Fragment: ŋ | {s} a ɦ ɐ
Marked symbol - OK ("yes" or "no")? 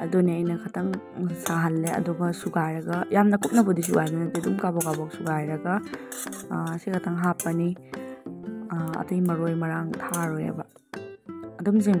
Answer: yes